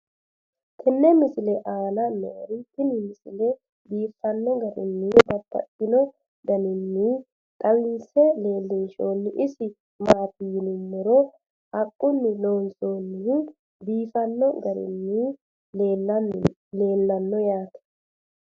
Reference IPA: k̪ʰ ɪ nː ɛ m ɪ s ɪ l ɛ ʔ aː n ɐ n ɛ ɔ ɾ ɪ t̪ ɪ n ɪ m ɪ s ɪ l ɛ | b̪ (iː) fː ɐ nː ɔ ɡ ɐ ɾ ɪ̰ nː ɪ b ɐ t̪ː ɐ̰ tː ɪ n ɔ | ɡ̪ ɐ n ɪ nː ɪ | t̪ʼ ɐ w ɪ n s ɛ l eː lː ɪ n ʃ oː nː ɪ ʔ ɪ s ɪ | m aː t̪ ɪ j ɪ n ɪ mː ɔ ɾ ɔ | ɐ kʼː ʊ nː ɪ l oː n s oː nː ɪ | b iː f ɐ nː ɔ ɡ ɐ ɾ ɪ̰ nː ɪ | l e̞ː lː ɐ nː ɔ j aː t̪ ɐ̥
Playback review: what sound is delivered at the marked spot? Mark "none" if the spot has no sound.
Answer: iː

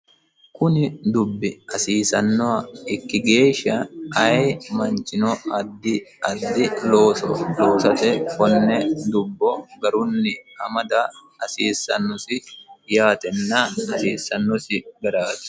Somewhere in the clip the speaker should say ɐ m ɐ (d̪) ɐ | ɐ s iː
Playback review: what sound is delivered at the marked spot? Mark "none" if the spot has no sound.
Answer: d̪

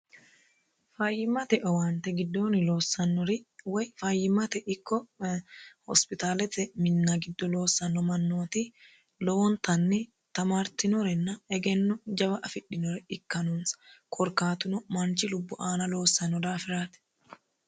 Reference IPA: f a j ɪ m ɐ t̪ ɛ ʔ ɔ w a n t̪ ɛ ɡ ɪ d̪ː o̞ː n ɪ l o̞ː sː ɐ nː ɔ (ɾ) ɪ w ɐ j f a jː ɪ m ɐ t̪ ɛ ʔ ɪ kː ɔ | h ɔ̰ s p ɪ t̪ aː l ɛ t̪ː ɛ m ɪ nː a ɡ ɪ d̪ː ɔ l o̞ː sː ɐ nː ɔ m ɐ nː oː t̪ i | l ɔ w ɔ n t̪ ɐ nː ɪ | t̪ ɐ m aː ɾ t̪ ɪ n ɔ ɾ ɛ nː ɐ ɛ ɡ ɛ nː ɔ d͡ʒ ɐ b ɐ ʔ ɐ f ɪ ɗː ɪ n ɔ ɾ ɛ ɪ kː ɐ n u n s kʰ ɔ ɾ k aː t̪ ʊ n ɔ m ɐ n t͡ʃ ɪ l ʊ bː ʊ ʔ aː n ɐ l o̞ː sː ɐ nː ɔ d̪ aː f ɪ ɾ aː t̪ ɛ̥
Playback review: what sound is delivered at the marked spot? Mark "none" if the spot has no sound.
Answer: ɾ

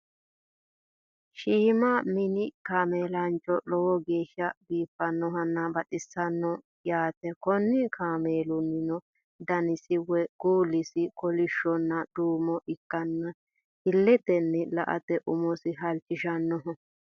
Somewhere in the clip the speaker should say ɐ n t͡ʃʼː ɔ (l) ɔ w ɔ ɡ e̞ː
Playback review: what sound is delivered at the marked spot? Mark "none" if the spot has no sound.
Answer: l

